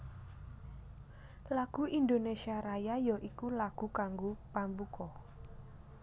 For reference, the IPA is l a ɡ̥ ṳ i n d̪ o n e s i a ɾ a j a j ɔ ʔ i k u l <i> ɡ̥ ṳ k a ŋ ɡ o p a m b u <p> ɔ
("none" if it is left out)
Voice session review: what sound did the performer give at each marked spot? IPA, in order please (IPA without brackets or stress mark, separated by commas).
a, k